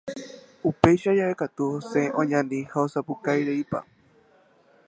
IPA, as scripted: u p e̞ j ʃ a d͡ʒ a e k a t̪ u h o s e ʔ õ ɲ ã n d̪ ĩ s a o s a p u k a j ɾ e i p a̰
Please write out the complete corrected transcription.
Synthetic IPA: u p e̞ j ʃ a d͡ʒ a e k a t̪ u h o s e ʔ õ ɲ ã n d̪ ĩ h a o s a p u k a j ɾ e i p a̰